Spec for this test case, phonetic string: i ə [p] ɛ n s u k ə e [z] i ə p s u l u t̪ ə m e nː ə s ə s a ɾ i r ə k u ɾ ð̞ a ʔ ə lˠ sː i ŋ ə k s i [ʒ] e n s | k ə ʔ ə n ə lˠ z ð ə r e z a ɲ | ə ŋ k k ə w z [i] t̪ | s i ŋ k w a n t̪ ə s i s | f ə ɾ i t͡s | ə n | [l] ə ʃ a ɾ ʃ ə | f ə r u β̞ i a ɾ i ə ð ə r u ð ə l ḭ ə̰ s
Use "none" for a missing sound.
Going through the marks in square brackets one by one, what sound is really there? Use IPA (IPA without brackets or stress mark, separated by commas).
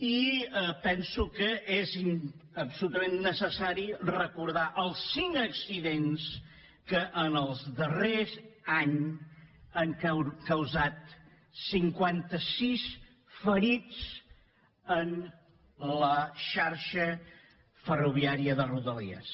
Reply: p, z, ð, a, l